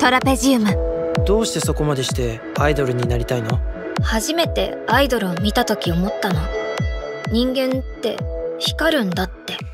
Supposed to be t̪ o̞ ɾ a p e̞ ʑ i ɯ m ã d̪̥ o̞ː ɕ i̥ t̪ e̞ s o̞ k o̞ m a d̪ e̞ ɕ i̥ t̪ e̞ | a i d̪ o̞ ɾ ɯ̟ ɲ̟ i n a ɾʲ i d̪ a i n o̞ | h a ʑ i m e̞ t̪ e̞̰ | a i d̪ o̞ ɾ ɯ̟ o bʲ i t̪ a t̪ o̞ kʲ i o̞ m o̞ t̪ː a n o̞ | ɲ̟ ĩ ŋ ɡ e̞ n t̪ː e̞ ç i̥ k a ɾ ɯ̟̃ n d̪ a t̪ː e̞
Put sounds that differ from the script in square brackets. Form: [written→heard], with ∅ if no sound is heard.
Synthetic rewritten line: t̪ o̞ ɾ a p e̞ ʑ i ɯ m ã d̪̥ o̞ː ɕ i̥ t̪ e̞ s o̞ k o̞ m a d̪ e̞ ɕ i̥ t̪ e̞ | a i d̪ o̞ ɾ ɯ̟ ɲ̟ i n a ɾʲ i [d̪→t̪] a i n o̞ | h a ʑ i m e̞ t̪ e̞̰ | a i d̪ o̞ ɾ ɯ̟ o [bʲ→mʲ] i t̪ a t̪ o̞ kʲ i o̞ m o̞ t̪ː a n o̞ | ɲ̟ ĩ ŋ ɡ [e̞→ẽ̞] n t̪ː e̞ ç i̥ k a ɾ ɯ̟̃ n d̪ a t̪ː e̞